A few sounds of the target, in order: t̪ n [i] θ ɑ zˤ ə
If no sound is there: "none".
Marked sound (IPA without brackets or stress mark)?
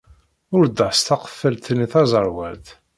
i